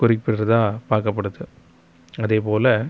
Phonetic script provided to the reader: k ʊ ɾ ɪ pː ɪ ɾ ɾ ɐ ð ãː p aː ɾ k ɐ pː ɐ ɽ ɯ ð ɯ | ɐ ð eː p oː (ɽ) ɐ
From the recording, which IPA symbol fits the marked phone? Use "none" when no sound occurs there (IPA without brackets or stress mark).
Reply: l